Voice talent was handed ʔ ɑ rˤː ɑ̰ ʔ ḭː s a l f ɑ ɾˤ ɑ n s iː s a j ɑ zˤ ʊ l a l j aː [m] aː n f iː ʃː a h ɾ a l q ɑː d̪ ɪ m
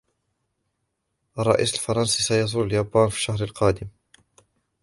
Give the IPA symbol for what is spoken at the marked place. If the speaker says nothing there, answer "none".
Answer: b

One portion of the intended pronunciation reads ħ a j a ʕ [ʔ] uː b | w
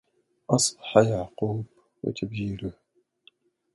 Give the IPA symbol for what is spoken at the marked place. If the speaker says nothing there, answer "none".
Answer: q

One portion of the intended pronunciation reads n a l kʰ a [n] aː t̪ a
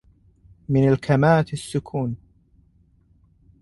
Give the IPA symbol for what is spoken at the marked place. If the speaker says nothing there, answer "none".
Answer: m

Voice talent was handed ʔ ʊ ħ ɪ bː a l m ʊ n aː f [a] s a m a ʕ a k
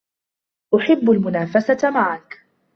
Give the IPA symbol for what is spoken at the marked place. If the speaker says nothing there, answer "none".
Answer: a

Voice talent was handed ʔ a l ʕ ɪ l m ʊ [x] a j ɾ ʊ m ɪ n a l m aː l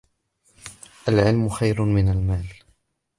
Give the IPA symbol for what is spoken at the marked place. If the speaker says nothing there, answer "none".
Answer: x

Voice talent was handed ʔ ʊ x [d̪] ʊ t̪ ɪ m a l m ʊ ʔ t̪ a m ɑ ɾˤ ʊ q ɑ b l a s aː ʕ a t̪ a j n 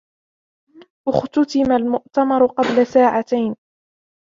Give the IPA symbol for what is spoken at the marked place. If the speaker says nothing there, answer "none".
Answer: t̪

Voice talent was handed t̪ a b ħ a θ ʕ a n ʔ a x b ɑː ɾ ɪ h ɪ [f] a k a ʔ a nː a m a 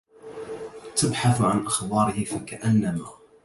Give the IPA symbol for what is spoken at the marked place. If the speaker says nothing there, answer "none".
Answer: f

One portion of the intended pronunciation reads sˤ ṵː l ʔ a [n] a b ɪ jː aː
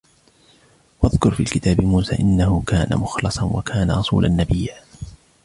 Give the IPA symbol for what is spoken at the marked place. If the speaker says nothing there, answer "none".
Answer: nː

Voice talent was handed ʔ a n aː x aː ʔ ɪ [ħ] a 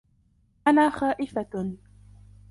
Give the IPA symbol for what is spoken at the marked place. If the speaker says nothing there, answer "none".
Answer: f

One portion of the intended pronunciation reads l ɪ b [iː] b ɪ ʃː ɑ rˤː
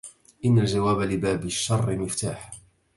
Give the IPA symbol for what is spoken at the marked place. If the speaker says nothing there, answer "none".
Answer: aː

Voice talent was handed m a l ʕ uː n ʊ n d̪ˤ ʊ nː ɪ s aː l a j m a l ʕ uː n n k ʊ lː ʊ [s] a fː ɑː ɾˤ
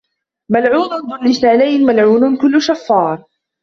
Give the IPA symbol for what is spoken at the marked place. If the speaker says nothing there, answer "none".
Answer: ʃ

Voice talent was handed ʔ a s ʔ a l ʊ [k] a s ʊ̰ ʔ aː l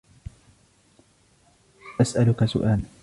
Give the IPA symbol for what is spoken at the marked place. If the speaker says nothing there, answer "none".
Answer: k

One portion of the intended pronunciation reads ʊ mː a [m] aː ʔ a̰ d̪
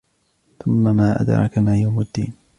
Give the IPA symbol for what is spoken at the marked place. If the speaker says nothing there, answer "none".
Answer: m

